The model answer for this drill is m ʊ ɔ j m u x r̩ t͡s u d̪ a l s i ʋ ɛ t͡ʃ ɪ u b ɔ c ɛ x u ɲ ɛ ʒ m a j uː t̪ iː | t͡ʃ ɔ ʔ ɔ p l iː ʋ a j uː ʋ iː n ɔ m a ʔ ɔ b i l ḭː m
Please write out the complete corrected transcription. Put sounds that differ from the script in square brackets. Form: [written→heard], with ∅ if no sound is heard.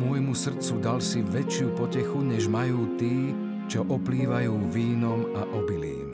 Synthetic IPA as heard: m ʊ ɔ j m u [x→s] r̩ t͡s u d̪ a l s i ʋ ɛ t͡ʃ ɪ u [b→p] ɔ c ɛ x u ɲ ɛ ʒ m a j uː t̪ iː | t͡ʃ ɔ ʔ ɔ p l iː ʋ a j uː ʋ iː n ɔ m a ʔ ɔ b i l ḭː m